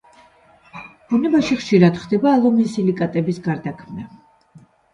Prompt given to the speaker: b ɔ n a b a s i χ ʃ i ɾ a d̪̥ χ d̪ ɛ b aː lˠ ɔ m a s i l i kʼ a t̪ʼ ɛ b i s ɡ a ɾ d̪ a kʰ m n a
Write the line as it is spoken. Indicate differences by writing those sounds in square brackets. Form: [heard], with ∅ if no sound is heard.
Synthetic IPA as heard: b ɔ n [ɛ] b a [ʃ] i χ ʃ i ɾ a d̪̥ χ d̪ ɛ b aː lˠ ɔ m [i] s i l i kʼ a t̪ʼ ɛ b i s ɡ a ɾ d̪ a kʰ m n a